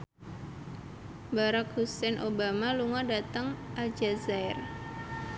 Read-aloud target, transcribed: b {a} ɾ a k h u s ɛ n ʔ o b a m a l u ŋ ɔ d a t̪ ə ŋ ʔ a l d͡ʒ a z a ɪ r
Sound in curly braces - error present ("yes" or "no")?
no